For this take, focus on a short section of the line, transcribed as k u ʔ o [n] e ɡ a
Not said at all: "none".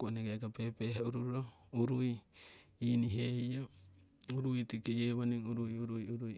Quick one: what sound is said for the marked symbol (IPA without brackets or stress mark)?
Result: n